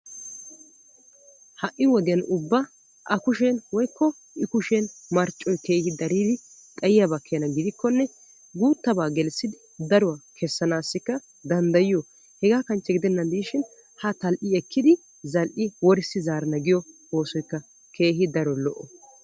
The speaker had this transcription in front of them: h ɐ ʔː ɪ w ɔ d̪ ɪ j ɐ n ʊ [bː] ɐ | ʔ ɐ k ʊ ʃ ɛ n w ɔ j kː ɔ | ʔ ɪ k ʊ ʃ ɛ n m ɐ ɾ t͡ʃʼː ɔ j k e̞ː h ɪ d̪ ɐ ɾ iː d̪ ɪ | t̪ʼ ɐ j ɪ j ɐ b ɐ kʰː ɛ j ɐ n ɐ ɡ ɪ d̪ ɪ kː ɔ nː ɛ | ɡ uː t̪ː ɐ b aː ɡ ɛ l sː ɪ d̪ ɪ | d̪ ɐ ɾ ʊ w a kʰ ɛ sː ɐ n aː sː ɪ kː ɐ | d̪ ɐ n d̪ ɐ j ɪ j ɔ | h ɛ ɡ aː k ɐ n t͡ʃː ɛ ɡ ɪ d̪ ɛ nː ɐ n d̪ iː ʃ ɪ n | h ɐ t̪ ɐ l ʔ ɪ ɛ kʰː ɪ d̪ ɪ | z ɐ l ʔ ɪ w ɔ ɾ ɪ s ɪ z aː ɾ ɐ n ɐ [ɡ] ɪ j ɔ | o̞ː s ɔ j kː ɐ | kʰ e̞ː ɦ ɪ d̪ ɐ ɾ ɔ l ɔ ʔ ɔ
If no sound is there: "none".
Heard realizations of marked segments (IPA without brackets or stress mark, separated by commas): bː, ɡ